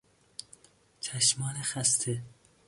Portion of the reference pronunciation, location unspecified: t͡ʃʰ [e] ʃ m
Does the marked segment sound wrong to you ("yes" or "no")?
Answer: yes